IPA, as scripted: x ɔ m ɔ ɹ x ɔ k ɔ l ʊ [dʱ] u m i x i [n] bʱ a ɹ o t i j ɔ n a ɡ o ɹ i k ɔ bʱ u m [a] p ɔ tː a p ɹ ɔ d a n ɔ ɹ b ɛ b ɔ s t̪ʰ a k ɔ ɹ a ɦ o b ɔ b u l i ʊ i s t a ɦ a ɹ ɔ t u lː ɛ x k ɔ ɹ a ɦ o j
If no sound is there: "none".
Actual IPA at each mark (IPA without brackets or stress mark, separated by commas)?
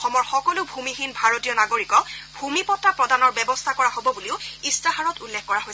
bʱ, n, i